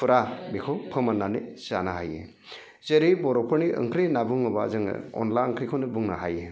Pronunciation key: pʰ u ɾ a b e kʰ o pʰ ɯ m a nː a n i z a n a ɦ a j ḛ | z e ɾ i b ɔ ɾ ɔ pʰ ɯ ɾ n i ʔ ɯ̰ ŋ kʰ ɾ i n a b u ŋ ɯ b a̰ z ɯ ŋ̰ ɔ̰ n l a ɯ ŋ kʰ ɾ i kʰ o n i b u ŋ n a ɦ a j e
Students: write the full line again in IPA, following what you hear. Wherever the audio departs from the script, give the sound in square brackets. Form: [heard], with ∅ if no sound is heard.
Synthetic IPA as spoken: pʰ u ɾ a b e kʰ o pʰ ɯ m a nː a n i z a n a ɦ a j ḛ | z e ɾ i b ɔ ɾ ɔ pʰ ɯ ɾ n i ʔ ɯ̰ ŋ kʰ ɾ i n a b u ŋ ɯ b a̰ z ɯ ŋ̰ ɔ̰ n l a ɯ ŋ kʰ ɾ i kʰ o n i b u ŋ n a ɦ a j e